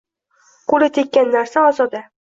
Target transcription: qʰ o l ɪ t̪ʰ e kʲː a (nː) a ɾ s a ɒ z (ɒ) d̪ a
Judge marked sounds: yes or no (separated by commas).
yes, yes